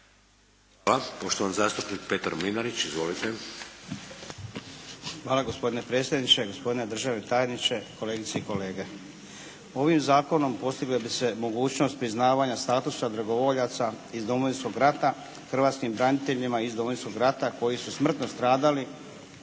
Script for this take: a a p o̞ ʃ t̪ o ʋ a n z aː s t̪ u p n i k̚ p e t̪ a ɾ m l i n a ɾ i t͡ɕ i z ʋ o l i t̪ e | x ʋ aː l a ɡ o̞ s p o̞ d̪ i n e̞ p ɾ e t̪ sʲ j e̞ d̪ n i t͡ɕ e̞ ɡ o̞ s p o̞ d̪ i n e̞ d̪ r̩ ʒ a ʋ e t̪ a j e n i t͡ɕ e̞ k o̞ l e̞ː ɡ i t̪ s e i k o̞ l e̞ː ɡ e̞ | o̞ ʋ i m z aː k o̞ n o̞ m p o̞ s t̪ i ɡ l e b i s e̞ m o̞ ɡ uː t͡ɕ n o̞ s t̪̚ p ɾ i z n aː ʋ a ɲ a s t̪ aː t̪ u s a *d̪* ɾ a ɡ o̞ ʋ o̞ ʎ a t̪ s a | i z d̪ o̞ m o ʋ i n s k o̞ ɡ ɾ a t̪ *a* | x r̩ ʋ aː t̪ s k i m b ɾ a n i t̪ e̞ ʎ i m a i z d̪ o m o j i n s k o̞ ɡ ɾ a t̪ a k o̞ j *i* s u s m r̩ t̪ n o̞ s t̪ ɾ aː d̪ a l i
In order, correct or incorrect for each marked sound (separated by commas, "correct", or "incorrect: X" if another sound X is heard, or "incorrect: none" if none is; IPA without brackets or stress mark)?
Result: correct, correct, correct